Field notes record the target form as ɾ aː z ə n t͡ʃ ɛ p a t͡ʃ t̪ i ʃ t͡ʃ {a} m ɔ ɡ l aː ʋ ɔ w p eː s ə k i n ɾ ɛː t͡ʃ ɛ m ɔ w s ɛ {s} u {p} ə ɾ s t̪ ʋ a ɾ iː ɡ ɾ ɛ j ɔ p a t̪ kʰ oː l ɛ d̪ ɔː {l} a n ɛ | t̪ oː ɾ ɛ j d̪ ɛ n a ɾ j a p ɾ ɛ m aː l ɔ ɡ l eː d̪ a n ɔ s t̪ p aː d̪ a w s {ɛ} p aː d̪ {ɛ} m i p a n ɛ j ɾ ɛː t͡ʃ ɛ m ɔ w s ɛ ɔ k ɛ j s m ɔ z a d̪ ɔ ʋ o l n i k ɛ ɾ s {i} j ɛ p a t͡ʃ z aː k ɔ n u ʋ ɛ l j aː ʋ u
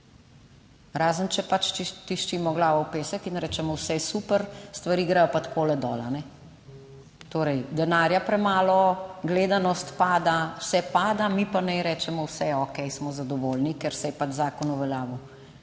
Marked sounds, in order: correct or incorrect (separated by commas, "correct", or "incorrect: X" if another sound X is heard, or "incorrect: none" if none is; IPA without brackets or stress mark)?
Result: incorrect: i, correct, correct, correct, correct, incorrect: a, incorrect: ɛ